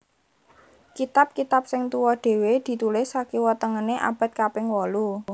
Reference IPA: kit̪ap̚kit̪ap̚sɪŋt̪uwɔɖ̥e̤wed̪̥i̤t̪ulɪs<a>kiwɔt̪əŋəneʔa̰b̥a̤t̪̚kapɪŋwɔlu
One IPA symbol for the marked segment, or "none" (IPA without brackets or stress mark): a